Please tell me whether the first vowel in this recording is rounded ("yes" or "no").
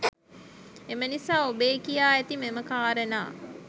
no